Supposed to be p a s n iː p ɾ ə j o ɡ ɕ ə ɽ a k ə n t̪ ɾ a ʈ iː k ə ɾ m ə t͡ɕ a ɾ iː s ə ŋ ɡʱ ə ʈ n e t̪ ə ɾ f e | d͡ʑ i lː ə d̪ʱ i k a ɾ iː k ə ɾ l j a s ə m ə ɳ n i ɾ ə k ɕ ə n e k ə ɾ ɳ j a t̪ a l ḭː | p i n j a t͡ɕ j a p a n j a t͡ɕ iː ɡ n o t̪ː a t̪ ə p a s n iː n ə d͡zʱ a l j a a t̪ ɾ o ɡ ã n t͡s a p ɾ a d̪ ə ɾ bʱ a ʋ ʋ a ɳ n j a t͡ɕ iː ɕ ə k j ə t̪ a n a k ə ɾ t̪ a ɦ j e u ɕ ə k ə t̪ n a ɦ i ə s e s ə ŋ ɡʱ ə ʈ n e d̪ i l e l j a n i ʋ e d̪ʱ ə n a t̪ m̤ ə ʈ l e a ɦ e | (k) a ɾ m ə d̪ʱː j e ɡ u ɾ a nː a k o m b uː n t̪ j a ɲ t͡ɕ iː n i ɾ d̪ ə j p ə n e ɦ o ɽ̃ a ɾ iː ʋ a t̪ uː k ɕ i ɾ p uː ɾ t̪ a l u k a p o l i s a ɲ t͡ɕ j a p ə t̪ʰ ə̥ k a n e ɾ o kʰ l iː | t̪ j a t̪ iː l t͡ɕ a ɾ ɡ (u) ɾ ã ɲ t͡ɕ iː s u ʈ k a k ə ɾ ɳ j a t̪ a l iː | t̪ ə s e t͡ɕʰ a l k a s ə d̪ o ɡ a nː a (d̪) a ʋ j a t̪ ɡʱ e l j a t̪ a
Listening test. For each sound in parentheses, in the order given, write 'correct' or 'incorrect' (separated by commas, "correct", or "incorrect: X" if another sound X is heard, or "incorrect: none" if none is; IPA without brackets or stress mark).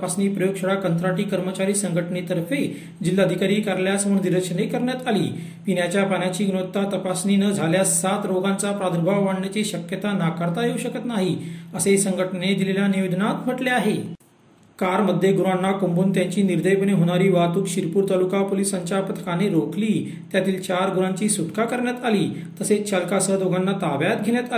correct, correct, incorrect: t̪